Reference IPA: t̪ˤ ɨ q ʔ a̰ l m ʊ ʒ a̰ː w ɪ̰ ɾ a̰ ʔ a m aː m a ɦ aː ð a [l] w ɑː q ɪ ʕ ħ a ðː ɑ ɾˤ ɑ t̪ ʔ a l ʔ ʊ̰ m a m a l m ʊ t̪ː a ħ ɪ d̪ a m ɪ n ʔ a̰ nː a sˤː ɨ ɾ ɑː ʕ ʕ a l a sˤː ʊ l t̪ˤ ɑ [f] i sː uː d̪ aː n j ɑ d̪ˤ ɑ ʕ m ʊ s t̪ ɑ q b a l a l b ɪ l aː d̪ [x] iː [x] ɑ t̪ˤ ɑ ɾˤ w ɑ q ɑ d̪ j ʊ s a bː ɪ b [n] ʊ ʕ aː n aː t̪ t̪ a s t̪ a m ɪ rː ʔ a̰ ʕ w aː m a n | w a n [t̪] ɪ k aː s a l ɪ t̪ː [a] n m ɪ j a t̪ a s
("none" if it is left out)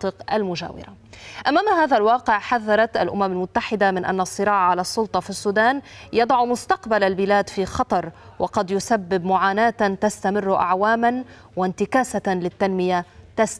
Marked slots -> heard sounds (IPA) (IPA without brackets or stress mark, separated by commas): l, f, f, x, m, t̪, a